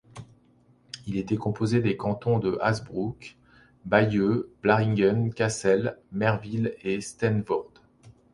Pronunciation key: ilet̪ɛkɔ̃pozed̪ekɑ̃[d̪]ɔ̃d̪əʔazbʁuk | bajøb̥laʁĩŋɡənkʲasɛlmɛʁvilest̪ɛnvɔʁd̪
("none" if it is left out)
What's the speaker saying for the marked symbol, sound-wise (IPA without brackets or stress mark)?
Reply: t̪